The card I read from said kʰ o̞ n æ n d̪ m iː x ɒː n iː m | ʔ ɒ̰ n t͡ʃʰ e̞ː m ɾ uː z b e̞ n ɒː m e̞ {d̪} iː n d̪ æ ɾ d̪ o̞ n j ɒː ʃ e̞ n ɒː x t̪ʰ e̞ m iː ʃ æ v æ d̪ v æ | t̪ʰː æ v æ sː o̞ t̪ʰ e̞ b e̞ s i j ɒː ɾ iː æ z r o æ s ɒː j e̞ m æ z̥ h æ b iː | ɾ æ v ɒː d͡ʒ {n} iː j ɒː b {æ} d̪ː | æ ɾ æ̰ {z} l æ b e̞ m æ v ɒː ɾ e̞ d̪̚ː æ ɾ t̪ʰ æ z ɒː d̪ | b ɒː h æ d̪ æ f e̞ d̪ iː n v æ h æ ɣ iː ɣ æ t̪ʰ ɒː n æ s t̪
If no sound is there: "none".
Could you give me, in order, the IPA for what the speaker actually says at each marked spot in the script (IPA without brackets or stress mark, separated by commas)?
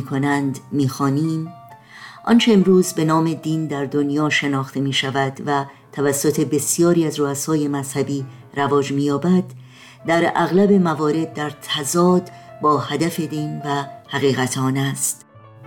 d̪, m, æ, ɣ